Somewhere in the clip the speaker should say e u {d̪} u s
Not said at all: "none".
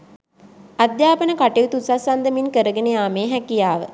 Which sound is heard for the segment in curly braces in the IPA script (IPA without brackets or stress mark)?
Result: t̪